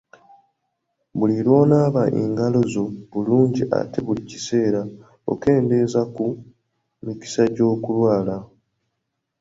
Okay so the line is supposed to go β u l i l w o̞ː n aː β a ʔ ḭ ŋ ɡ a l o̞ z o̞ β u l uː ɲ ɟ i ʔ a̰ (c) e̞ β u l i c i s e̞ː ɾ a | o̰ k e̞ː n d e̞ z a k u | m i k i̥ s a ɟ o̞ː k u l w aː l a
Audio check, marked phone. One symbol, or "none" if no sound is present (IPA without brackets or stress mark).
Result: t